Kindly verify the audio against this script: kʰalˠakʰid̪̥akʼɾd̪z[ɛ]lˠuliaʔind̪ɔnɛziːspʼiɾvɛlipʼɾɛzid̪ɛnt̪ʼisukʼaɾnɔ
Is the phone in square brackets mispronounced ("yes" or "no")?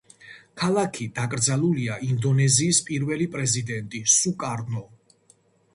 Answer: yes